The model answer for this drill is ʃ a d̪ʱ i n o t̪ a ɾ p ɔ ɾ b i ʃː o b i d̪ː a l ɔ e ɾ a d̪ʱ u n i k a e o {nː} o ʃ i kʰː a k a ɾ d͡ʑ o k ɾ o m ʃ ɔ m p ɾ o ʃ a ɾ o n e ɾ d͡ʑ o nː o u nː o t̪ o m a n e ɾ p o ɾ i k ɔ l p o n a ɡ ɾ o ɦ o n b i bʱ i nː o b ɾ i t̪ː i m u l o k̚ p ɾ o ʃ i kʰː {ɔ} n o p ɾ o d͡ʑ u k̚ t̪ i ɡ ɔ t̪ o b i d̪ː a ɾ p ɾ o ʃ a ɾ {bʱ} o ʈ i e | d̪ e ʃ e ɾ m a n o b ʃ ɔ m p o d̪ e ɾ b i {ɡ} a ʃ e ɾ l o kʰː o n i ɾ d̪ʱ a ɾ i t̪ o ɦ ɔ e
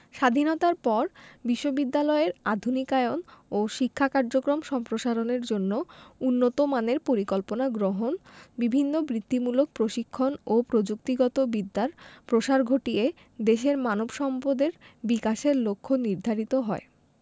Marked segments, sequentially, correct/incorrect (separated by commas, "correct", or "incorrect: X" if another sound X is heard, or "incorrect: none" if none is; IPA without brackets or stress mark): incorrect: n, incorrect: o, incorrect: ɡʱ, incorrect: k